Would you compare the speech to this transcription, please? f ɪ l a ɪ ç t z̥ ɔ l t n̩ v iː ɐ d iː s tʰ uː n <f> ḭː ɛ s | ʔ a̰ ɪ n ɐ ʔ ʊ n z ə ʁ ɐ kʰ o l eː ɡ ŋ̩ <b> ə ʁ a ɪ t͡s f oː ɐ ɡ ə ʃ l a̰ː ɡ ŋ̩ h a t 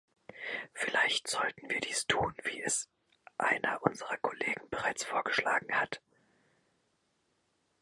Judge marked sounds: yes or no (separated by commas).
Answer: no, yes